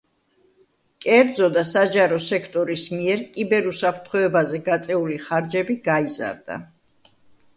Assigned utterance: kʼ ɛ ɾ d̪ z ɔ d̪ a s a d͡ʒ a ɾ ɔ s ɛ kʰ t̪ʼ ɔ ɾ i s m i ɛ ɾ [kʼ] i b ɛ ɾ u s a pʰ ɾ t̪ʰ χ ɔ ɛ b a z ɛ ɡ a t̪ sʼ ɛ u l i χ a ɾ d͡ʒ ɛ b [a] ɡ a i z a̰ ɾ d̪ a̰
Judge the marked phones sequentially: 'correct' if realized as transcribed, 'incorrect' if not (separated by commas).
correct, incorrect